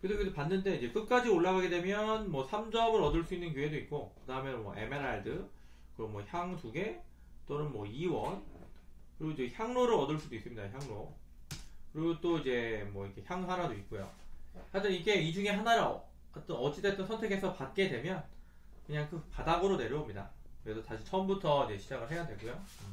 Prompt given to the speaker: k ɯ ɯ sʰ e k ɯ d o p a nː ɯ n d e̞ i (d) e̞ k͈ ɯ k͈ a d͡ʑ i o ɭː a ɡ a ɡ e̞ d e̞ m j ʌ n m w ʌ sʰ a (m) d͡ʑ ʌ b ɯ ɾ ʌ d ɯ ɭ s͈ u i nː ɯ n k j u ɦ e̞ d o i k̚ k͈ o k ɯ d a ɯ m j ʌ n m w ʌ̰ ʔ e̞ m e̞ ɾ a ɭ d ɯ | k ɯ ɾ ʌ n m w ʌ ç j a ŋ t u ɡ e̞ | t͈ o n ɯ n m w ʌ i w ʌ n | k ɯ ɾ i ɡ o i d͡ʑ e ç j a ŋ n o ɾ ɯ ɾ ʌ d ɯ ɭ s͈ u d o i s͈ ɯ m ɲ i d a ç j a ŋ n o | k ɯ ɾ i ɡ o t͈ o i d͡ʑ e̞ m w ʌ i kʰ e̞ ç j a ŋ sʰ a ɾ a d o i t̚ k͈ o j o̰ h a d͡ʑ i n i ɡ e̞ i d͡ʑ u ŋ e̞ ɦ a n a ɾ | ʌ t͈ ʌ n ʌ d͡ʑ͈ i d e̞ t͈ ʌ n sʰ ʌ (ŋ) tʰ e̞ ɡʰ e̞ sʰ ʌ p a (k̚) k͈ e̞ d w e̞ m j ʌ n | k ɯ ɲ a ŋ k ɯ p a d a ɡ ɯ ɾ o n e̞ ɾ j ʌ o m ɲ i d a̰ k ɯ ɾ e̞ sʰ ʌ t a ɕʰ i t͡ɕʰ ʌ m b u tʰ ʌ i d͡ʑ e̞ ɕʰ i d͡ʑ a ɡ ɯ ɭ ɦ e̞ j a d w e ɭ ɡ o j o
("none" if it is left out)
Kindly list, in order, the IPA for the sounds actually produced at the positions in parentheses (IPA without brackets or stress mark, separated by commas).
d͡ʑ, m, n, t̚